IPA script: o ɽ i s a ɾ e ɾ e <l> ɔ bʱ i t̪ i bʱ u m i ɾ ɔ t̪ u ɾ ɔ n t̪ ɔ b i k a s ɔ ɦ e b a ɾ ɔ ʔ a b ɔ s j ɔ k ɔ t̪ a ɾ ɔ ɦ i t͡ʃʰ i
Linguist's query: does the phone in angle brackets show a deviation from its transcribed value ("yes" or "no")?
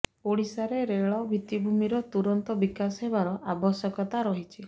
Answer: yes